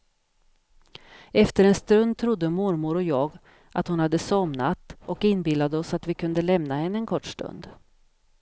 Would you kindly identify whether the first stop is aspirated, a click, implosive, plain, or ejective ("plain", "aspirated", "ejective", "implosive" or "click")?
plain